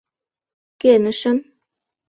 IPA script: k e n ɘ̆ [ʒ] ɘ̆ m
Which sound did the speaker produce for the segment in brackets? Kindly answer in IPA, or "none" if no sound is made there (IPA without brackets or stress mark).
ʃ